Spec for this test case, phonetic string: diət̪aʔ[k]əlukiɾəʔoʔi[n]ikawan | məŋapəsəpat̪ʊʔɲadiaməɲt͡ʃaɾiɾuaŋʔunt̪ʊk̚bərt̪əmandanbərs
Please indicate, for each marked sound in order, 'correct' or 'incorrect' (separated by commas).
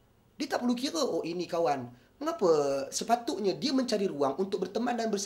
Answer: incorrect, correct